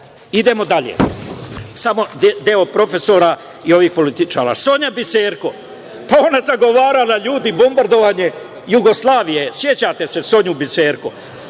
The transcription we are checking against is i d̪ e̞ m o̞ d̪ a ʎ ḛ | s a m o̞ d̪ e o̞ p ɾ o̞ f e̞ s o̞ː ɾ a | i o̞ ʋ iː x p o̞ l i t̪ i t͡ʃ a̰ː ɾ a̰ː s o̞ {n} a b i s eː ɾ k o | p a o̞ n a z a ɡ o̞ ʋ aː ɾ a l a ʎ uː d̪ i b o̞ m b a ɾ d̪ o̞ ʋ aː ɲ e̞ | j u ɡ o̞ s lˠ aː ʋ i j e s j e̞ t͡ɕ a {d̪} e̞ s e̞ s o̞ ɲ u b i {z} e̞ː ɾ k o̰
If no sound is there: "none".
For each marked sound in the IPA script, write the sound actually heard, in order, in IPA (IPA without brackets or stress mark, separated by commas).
ɲ, t̪, s